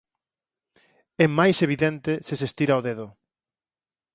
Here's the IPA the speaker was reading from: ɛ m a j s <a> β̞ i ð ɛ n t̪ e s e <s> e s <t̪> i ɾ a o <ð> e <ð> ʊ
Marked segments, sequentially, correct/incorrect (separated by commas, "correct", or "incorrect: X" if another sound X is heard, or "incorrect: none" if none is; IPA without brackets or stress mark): incorrect: e, correct, correct, correct, correct